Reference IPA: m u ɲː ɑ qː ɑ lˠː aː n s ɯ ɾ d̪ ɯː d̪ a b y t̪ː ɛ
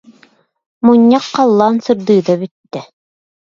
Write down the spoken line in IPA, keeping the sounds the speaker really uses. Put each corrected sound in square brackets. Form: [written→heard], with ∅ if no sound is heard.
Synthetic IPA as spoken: m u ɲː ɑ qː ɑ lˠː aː n s ɯ ɾ d̪ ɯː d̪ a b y t̪ː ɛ

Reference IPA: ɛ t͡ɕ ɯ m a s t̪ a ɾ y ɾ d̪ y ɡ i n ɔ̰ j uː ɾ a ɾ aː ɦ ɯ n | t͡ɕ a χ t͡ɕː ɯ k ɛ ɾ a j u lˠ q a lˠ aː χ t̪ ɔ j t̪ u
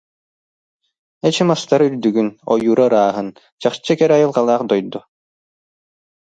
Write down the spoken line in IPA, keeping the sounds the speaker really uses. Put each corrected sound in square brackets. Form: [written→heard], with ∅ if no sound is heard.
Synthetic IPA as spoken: ɛ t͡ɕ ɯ m a s t̪ a ɾ y ɾ d̪ y ɡ [i→y] n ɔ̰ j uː ɾ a ɾ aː ɦ ɯ n | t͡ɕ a χ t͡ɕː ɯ k ɛ ɾ a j [u→ɯ] lˠ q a lˠ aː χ [t̪→d̪] ɔ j [t̪→d̪] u

